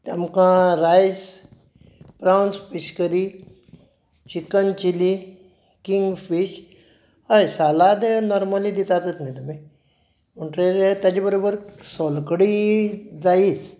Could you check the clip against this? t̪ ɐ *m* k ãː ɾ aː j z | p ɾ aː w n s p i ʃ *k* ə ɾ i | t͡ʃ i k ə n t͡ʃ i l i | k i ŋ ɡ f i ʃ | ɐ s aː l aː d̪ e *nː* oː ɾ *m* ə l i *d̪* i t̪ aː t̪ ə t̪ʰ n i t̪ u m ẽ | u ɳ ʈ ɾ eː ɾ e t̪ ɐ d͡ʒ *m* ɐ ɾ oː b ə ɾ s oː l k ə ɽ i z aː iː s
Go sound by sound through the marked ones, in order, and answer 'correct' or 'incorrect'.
correct, correct, incorrect: n, correct, correct, incorrect: b

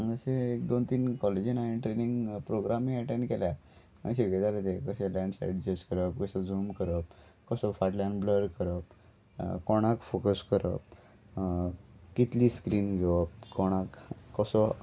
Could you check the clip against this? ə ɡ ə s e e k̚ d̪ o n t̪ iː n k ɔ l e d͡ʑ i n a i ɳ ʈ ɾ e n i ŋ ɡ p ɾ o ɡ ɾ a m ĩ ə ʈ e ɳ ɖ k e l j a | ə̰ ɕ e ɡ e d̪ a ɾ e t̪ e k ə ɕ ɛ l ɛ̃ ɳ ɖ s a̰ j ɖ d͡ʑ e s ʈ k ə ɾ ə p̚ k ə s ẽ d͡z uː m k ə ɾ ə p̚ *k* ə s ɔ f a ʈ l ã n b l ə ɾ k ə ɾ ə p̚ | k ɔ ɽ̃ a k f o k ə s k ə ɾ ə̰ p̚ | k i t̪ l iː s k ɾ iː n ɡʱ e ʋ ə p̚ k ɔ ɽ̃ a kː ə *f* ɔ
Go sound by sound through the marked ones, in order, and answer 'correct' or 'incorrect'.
correct, incorrect: s

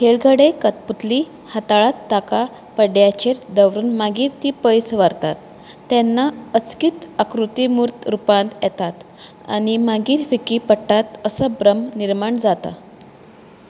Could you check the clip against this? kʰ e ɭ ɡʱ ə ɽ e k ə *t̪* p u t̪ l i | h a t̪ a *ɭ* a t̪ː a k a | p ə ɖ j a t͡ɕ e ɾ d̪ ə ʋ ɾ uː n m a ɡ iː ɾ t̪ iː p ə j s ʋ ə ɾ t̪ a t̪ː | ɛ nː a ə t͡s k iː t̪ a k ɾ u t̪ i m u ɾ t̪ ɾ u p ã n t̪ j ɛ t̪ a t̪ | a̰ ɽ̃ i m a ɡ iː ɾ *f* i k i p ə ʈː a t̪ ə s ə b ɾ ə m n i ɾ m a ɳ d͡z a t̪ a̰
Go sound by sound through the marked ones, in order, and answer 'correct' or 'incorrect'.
correct, correct, correct

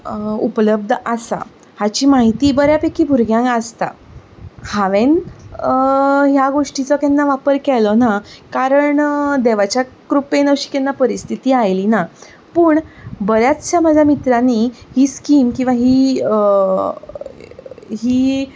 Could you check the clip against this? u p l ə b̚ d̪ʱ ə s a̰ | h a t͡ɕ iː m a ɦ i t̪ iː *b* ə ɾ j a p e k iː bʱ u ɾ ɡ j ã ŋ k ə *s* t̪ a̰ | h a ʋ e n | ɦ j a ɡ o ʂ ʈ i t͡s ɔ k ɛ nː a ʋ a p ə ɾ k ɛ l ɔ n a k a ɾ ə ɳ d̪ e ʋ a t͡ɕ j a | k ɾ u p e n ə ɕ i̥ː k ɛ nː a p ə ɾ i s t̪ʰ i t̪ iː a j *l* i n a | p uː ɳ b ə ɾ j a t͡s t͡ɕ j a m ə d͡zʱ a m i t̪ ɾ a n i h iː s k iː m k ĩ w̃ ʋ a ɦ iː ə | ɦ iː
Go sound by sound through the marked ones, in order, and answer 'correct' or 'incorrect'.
correct, correct, correct

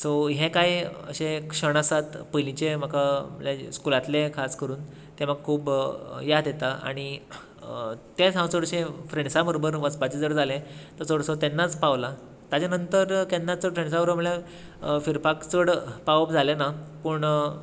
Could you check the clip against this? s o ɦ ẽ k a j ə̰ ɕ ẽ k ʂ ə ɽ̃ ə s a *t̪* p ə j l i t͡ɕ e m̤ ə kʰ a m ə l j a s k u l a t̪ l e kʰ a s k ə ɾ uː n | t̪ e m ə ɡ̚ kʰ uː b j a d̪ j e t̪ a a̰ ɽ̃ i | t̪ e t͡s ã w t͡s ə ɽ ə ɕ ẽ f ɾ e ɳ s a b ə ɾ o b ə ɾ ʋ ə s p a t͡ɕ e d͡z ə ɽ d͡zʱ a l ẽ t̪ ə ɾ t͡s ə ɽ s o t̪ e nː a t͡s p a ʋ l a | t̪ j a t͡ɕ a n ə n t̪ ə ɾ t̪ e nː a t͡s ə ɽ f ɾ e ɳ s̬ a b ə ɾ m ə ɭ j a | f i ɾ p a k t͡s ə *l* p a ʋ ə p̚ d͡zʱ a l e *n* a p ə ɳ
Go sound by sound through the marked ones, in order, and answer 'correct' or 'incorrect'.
correct, incorrect: ɽ, correct

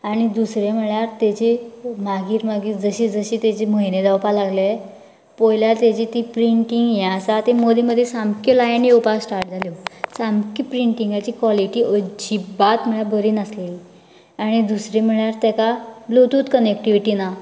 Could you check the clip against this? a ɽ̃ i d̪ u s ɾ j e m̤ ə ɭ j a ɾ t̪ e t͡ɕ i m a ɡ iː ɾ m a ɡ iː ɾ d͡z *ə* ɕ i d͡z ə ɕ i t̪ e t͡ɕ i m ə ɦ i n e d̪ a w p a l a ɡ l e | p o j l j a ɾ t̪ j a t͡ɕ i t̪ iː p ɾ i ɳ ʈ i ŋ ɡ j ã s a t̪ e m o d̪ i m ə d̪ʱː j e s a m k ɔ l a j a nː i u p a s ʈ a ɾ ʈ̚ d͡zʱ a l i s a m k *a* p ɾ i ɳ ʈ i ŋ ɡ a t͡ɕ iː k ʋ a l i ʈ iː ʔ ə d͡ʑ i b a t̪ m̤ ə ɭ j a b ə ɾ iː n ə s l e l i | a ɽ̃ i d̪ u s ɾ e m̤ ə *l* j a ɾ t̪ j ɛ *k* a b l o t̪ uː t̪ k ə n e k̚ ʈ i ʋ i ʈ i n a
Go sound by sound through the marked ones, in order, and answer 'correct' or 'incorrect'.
correct, incorrect: i, incorrect: ɭ, correct

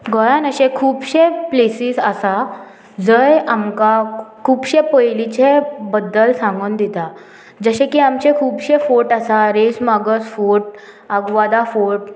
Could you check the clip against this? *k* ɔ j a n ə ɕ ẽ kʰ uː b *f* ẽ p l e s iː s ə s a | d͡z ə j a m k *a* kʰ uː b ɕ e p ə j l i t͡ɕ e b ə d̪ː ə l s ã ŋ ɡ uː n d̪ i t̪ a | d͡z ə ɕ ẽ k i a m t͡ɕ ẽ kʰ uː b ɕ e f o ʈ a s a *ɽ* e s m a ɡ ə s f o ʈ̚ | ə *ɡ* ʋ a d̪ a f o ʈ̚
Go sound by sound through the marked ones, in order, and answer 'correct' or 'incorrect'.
incorrect: ɡ, incorrect: ɕ, correct, incorrect: ɾ, correct

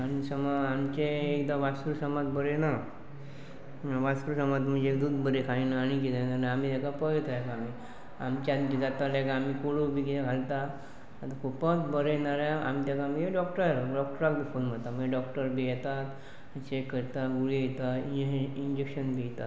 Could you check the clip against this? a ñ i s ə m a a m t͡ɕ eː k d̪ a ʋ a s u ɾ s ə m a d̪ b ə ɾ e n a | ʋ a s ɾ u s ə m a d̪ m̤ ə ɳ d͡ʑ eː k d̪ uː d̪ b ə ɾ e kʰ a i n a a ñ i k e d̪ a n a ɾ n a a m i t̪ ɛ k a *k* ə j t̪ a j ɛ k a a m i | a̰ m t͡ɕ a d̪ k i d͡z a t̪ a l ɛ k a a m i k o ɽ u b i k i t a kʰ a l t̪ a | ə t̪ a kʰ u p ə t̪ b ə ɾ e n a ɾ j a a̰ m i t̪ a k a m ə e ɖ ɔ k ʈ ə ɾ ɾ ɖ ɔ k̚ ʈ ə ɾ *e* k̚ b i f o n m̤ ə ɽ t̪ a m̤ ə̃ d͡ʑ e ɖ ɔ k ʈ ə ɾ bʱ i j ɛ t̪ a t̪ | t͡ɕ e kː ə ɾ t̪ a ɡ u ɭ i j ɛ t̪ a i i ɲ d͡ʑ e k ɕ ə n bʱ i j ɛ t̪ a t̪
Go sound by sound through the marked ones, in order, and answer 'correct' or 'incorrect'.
incorrect: p, incorrect: a

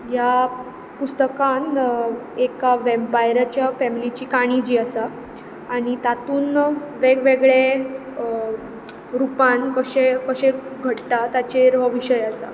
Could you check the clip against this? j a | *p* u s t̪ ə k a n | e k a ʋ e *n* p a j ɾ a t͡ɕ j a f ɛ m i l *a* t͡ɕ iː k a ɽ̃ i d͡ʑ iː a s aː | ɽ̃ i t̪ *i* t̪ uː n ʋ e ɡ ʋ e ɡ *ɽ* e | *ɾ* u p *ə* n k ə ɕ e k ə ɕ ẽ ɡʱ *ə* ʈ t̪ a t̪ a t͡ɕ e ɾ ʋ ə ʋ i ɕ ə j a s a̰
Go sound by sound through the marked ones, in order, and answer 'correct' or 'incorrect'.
correct, incorrect: m, incorrect: i, incorrect: a, incorrect: ɭ, correct, incorrect: a, correct

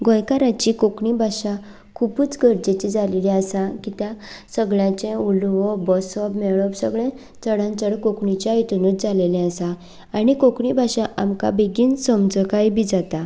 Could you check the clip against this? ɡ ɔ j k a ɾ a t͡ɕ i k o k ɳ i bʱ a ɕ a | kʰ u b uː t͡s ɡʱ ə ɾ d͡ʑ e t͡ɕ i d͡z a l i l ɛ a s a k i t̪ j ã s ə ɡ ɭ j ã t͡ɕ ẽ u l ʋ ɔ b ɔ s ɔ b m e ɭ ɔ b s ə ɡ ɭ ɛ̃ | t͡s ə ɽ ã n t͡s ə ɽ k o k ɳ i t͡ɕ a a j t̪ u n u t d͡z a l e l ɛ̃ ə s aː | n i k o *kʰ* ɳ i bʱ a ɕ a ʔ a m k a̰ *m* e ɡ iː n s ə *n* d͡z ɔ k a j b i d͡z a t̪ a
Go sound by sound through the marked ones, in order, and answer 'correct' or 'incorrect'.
incorrect: k, incorrect: b, incorrect: m

